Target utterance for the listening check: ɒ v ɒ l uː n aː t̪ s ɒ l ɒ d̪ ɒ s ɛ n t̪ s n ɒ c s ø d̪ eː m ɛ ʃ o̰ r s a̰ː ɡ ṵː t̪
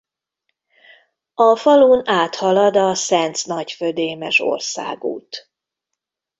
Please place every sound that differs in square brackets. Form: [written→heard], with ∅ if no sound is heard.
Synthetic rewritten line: ɒ [v→f] ɒ l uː n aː t̪ [s→h] ɒ l ɒ d̪ ɒ s ɛ n t̪ s n ɒ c [s→f] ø d̪ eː m ɛ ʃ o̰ r s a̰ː ɡ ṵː t̪